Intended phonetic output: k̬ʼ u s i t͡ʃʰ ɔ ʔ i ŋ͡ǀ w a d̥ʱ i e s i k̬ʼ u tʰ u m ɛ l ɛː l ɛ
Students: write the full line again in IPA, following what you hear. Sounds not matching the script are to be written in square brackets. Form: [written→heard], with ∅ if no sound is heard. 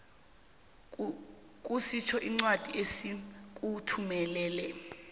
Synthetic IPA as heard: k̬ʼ u s i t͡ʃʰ ɔ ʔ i ŋ͡ǀ w a d̥ʱ i e s i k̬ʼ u tʰ u m ɛ l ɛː l ɛ